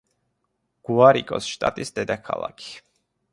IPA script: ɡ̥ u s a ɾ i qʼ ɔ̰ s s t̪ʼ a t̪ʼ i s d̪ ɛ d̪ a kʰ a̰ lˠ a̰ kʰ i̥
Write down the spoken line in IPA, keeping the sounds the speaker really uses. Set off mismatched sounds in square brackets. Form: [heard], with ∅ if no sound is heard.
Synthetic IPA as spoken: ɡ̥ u [∅] a ɾ i [kʼ] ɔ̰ s [ʃ] t̪ʼ a t̪ʼ i s d̪ ɛ d̪ a kʰ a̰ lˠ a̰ kʰ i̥